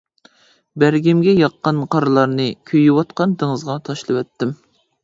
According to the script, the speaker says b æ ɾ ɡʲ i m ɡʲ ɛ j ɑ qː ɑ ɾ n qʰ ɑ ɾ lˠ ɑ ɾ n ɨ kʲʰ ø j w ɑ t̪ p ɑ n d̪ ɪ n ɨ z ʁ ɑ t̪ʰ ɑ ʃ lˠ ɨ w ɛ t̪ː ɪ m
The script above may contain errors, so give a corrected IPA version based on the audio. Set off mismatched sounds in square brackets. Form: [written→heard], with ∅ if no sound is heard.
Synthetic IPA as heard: b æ ɾ ɡʲ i m ɡʲ ɛ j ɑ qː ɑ [ɾ→∅] n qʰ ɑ ɾ lˠ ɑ ɾ n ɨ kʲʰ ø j w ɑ t̪ [p→q] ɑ n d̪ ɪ [n→ŋ] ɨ z ʁ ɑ t̪ʰ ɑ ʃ lˠ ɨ w ɛ t̪ː ɪ m